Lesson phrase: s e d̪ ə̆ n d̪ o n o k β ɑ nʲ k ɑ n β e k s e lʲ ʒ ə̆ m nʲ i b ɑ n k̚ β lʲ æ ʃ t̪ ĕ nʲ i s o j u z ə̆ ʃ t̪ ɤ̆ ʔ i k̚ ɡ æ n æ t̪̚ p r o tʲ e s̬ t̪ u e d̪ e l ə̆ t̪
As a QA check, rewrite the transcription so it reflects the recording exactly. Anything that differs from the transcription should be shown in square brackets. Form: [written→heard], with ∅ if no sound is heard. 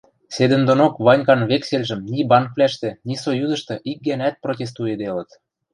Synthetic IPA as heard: s e d̪ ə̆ n d̪ o n o k β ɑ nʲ k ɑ n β e k s e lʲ ʒ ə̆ m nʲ i b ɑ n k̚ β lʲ æ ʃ t̪ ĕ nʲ i s o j u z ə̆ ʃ t̪ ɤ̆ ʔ i k̚ ɡ æ n æ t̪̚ p r o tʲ e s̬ t̪ u e d̪ e l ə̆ t̪